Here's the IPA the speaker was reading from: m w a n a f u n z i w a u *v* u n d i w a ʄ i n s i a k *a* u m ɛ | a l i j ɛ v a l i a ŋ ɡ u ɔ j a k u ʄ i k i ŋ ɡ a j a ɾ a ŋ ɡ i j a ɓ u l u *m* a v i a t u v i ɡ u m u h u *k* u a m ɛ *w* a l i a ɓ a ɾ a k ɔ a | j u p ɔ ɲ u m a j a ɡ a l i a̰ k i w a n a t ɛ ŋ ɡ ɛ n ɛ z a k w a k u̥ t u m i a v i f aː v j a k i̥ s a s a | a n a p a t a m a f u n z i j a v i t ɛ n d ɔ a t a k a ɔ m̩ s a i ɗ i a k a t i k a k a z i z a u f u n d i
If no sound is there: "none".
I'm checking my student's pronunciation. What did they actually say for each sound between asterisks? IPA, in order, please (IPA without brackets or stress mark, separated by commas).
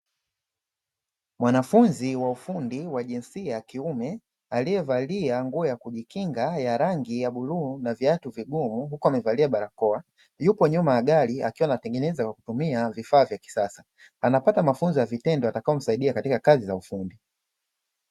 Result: f, i, n, k, v